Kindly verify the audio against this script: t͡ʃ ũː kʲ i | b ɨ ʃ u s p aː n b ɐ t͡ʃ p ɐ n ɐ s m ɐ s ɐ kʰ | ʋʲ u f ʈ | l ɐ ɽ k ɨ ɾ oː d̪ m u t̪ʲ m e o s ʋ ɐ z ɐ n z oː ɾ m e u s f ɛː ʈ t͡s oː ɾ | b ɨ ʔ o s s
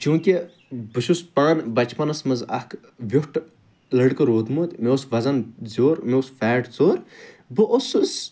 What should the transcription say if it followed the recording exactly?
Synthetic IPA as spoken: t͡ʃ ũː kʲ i | b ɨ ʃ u s p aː n b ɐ t͡ʃ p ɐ n ɐ s m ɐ z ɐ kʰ | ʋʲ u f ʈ | l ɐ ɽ k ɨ ɾ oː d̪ m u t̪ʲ m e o s ʋ ɐ z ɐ n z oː ɾ m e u s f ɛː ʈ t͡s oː ɾ | b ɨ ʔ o s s